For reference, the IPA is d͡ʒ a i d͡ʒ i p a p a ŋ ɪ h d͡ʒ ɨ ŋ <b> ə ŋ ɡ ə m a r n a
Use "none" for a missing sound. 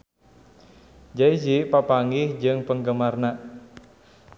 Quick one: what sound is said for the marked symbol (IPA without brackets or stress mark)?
p